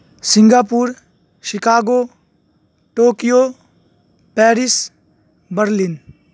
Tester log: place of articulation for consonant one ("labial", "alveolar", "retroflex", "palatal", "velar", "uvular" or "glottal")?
alveolar